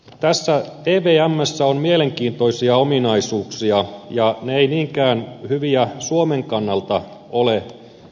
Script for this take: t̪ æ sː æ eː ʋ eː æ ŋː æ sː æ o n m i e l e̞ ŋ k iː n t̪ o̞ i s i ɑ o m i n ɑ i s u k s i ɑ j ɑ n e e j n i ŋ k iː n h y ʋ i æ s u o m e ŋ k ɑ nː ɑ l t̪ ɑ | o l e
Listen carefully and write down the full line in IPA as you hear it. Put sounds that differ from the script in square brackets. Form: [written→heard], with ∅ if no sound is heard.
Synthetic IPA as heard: t̪ æ sː æ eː ʋ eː æ [ŋː→mː] æ sː æ o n m i e l e̞ ŋ k iː n t̪ o̞ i s i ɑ o m i n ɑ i s [u→uː] k s i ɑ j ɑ n e e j n [i→iː] ŋ k [iː→æː] n h y ʋ i æ s u o m e ŋ k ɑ nː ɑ l t̪ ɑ | o l e